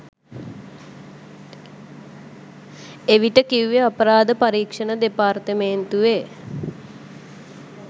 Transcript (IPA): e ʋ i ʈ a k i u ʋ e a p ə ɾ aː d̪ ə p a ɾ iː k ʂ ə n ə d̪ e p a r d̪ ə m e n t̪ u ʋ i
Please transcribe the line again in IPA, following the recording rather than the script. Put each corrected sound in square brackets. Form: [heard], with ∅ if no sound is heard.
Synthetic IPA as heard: e ʋ i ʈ [ə] k i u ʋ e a p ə ɾ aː d̪ ə p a ɾ iː k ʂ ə n ə d̪ e p a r [t̪] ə m e n t̪ u ʋ [e]

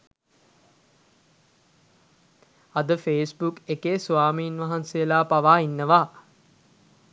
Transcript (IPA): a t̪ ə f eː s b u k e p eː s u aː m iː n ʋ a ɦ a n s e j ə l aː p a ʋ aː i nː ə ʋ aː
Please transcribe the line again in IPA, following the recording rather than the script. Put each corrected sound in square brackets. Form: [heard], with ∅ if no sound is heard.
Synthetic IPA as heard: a [d̪] ə f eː s b u k e [k] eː s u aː m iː n ʋ a ɦ a n s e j ə l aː p a ʋ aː i nː ə ʋ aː

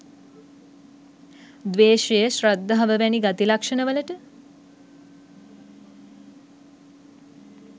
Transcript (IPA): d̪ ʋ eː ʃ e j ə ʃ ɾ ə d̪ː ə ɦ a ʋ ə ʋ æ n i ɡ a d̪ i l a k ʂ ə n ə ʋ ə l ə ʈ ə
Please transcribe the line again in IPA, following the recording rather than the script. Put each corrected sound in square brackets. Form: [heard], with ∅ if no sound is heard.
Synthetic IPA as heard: d̪ ʋ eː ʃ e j ə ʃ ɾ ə d̪ː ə ɦ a ʋ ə ʋ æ n i ɡ a [t̪] i l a k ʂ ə n ə ʋ ə l ə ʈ ə

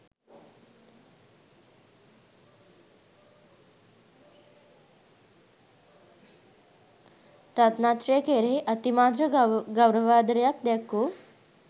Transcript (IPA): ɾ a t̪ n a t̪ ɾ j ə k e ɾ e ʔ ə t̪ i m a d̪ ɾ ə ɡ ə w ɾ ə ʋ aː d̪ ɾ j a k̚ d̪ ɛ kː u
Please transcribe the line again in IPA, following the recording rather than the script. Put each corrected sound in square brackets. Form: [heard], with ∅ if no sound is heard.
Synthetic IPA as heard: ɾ a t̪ n a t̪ ɾ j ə k e ɾ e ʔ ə t̪ i m a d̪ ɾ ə ɡ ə w ɾ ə ʋ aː d̪ ɾ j a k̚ d̪ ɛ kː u

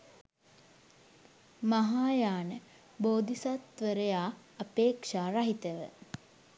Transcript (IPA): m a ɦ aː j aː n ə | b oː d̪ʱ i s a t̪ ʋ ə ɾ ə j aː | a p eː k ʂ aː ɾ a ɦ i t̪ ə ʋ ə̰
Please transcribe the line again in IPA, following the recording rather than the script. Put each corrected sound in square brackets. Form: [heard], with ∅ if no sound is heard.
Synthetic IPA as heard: m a ɦ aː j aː n ə | b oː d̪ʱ i s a t̪ ʋ ə ɾ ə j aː | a p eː k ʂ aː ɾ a ɦ i t̪ ə ʋ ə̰

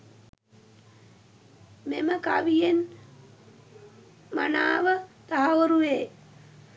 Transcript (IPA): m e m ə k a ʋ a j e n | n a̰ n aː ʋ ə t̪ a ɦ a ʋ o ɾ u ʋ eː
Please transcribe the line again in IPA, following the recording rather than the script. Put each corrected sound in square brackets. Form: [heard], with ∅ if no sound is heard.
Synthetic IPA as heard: m e m ə k a ʋ [i] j e n | [m] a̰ n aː ʋ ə t̪ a ɦ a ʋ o ɾ u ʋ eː

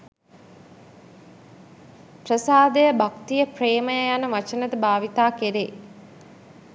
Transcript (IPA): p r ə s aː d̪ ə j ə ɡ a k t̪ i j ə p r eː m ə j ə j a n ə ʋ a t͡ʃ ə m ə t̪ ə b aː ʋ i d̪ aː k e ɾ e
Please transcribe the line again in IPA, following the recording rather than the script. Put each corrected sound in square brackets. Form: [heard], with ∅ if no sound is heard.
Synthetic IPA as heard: p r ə s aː d̪ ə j ə [b] a k t̪ i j ə p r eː m ə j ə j a n ə ʋ a t͡ʃ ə [n] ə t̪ ə b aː ʋ i [t̪] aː k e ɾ e

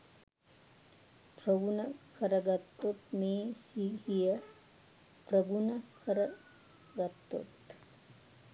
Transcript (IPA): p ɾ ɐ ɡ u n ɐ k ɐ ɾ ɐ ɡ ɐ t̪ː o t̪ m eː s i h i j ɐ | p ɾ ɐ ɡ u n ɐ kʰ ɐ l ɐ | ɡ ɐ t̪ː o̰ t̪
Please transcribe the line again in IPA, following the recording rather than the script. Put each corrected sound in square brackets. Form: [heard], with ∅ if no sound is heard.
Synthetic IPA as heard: p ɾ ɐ ɡ u n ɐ k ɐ ɾ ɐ ɡ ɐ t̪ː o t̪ m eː s i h i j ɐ | p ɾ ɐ ɡ u n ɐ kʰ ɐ [ɾ] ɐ | ɡ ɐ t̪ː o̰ t̪

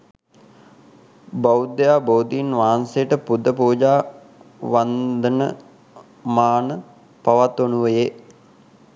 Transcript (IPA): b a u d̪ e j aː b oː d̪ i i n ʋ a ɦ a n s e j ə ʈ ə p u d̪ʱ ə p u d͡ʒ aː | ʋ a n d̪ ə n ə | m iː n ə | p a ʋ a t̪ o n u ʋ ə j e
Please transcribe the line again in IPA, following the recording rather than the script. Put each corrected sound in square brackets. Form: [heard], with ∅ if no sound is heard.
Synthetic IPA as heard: b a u d̪ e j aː b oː d̪ i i n ʋ a ɦ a n s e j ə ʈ ə p u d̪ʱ ə p [uː] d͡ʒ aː | ʋ a n d̪ ə n ə | m [aː] n ə | p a ʋ a t̪ o n u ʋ ə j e

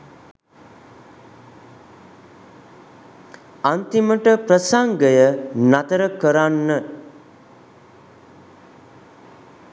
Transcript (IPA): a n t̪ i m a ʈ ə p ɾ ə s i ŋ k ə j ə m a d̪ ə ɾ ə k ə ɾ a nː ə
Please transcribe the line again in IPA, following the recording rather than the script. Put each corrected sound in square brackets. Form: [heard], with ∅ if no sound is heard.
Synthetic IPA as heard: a n t̪ i m [ə] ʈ ə p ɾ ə s [a] ŋ [ɡ] ə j ə [n] a [t̪] ə ɾ ə k ə ɾ a nː ə

